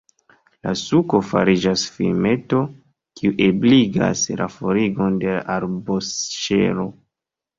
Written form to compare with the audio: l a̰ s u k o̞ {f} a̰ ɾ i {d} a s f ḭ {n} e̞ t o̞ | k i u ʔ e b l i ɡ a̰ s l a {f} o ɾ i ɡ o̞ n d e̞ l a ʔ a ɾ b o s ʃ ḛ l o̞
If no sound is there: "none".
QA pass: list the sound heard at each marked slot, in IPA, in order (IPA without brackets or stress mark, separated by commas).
f, d͡ʒ, m, f